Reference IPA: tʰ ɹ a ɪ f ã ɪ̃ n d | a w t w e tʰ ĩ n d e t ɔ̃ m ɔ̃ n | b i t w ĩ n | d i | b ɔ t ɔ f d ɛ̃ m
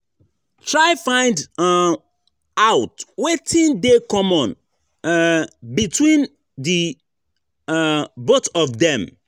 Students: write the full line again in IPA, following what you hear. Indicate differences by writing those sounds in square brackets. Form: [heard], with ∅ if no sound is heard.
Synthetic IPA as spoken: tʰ ɹ a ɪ f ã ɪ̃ n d | a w t w e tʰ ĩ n d e [k] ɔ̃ m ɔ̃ n | b i t w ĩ n | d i | b [o] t ɔ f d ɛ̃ m